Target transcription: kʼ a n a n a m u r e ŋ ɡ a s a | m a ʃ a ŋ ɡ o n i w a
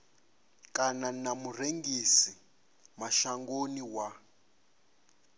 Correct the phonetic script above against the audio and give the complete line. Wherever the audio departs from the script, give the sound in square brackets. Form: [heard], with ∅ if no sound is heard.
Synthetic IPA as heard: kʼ a n a n a m u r e ŋ ɡ [i] s [i] | m a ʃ a ŋ ɡ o n i w a